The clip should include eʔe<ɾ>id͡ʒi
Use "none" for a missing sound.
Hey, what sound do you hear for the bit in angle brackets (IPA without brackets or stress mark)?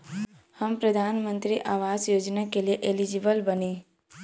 l